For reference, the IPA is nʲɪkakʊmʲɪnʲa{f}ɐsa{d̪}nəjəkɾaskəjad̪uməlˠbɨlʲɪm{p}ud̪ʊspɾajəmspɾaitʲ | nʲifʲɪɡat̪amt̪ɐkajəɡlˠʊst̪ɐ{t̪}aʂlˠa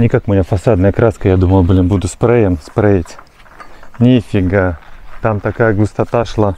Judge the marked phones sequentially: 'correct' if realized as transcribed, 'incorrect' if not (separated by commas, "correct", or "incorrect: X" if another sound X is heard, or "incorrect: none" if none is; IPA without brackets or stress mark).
correct, correct, incorrect: b, correct